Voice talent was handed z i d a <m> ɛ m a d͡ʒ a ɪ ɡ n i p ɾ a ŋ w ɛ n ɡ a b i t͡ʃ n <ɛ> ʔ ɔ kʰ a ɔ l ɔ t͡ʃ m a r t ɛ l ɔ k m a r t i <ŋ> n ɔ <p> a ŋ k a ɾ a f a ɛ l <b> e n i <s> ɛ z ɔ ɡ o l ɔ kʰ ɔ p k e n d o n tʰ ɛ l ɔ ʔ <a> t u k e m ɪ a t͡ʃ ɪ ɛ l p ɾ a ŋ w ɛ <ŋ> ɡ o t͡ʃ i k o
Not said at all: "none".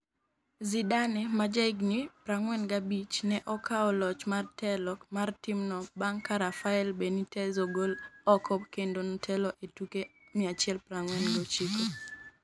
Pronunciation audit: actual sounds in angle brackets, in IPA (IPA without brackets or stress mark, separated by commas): n, ɛ, m, b, b, t, e, n